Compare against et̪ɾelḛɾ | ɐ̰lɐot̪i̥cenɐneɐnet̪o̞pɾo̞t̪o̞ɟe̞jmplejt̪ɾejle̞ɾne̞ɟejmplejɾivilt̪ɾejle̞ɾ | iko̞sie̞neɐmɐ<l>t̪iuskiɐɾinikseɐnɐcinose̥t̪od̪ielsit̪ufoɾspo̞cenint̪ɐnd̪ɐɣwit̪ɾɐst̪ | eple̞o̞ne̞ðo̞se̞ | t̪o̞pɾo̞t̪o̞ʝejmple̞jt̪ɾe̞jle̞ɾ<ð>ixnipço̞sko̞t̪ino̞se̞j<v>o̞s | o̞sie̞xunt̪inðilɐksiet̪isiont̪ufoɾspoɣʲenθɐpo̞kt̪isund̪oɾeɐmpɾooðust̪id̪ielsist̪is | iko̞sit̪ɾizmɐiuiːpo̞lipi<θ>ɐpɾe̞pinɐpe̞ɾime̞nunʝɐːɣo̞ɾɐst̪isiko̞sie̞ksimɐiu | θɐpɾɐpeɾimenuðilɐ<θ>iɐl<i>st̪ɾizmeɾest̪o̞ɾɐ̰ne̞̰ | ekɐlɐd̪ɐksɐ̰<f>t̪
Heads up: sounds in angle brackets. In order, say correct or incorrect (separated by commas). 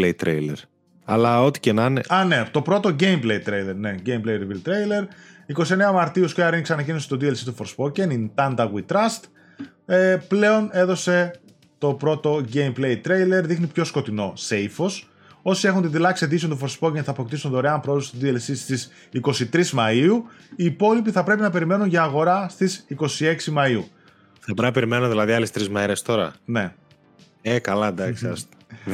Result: incorrect, correct, incorrect, correct, incorrect, incorrect, incorrect